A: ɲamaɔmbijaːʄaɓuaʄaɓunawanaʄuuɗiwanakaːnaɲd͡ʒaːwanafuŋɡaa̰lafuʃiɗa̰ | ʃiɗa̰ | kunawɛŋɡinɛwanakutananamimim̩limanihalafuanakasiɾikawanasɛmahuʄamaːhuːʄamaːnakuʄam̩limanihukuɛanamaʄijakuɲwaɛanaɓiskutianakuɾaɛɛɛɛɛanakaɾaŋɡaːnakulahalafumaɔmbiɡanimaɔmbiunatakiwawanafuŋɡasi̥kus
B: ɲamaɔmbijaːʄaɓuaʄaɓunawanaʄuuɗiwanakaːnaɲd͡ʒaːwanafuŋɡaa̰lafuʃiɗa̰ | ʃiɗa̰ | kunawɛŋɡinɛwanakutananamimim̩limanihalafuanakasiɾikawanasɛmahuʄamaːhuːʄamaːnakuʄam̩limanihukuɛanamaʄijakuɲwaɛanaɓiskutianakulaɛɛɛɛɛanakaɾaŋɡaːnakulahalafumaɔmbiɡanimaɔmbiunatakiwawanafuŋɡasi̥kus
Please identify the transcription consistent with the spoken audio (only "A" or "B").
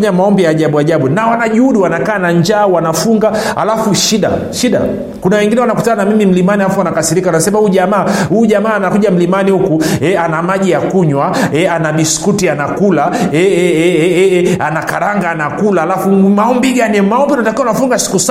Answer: B